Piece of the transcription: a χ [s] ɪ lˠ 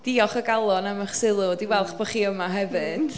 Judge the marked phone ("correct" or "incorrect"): correct